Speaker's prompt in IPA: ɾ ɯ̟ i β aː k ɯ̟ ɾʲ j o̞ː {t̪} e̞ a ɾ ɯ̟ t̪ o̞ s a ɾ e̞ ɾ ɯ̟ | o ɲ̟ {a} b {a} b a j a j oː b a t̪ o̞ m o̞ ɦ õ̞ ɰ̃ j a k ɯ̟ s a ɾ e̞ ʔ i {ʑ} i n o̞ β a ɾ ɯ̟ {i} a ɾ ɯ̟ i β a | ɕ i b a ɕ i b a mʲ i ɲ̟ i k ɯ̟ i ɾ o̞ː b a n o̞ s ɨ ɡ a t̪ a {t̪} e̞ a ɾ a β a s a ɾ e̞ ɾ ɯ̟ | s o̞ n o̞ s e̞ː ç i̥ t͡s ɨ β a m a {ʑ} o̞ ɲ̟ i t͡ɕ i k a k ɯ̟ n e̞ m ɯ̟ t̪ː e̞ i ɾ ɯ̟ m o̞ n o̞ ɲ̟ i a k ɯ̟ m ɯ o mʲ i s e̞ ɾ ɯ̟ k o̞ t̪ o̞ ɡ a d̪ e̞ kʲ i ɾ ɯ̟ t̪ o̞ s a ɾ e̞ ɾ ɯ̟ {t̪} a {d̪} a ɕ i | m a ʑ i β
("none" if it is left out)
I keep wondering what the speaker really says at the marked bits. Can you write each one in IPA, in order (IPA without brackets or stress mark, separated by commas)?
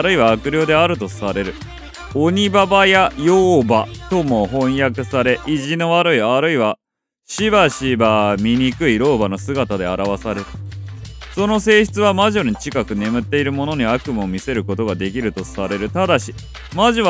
d̪, i, a, ʑ, i, d̪, ʑ, t̪, d̪